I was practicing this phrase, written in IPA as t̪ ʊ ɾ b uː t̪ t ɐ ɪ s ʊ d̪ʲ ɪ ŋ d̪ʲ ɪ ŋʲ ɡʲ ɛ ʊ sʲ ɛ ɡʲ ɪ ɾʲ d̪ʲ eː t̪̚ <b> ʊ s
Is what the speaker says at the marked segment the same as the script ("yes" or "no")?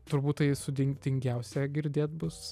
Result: yes